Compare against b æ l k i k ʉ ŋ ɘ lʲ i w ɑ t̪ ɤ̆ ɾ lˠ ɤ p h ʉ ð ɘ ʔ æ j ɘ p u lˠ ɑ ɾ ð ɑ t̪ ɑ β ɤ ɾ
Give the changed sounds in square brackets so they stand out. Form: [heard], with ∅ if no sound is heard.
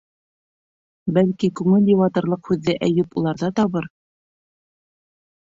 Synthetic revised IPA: b æ l k i k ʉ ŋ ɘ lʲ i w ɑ t̪ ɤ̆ ɾ lˠ ɤ [q] h ʉ [ðː] ɘ ʔ æ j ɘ p u lˠ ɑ ɾ ð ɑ t̪ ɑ β ɤ ɾ